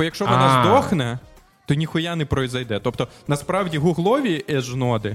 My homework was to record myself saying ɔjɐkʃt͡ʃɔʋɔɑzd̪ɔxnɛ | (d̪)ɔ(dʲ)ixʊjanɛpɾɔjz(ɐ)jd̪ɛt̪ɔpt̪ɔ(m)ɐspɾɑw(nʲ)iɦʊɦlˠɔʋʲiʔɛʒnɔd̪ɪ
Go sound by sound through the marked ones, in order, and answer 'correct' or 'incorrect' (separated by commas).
incorrect, incorrect, correct, incorrect, incorrect